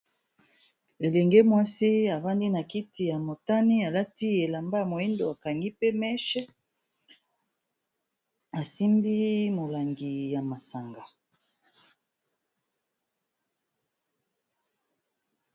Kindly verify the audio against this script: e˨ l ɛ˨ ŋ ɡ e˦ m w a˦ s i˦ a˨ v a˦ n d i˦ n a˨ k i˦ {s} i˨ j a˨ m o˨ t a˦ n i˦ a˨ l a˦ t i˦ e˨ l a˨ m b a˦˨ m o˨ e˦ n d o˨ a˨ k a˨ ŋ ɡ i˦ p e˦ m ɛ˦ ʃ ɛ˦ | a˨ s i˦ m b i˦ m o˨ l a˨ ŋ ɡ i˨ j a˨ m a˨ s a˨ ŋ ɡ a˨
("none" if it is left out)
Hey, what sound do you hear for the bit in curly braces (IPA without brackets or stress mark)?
t